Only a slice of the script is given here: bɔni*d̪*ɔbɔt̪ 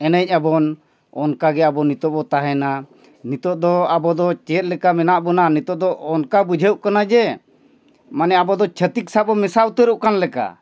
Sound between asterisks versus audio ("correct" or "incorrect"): incorrect